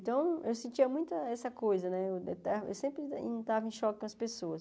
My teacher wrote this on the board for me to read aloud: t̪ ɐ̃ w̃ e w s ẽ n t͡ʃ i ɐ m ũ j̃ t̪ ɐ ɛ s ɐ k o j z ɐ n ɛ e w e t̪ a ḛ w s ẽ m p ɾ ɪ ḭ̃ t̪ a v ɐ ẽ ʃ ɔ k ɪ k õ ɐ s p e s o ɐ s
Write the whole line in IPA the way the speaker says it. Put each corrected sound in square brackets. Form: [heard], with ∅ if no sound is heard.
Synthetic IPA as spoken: t̪ ɐ̃ w̃ e w s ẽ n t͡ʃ i ɐ m ũ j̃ t̪ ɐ ɛ s ɐ k o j z ɐ n ɛ e w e t̪ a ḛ w s ẽ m p ɾ ɪ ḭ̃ t̪ a v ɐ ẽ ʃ ɔ k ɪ k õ ɐ s p e s o ɐ s